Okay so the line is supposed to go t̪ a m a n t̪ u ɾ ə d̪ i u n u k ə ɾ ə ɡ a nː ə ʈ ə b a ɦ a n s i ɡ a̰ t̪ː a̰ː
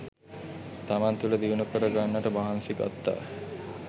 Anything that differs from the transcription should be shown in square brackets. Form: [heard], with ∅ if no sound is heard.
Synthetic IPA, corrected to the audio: t̪ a m a n t̪ u [l] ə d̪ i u n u k ə ɾ ə ɡ a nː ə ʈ ə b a ɦ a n s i ɡ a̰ t̪ː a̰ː